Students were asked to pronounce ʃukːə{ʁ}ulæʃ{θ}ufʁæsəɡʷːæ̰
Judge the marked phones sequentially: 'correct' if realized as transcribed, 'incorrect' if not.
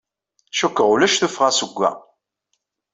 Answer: correct, correct

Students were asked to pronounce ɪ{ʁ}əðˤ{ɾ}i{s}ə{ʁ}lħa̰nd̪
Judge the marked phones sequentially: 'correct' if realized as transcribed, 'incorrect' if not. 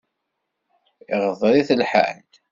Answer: correct, correct, incorrect, incorrect

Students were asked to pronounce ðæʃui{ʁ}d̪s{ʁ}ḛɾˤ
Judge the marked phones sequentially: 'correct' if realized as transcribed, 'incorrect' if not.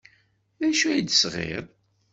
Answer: incorrect, correct

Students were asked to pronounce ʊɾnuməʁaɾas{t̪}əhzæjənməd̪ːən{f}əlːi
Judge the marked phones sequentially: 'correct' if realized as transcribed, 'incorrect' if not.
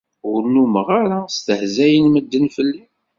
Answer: correct, correct

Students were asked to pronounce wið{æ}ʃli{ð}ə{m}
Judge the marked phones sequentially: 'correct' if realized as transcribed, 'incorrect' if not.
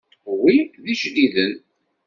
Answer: incorrect, correct, incorrect

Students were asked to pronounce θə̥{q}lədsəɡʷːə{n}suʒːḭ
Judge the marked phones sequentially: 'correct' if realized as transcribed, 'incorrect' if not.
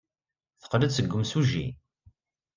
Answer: correct, incorrect

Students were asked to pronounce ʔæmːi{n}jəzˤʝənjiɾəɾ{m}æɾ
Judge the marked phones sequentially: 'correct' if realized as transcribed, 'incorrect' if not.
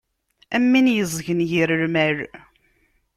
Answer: correct, correct

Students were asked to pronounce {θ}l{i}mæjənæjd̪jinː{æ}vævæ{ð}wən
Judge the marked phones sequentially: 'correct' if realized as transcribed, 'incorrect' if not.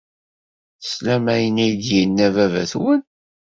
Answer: incorrect, incorrect, correct, incorrect

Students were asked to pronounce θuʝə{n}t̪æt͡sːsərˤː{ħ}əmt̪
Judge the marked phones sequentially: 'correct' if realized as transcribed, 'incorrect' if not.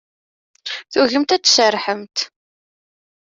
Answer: incorrect, correct

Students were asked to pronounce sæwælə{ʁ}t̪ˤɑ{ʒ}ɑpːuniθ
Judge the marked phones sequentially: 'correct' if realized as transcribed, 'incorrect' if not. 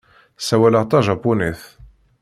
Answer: correct, correct

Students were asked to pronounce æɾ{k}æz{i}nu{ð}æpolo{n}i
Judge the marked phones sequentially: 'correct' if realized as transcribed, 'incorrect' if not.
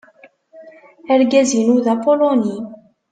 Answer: incorrect, correct, correct, correct

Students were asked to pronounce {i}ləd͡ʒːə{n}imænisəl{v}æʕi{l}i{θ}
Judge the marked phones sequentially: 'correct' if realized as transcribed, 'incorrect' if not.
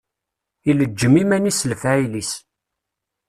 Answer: correct, incorrect, incorrect, correct, incorrect

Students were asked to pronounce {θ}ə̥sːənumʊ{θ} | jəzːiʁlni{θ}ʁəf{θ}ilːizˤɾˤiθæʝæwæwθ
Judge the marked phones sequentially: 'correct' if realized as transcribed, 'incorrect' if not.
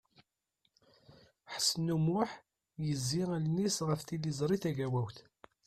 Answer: incorrect, incorrect, incorrect, correct

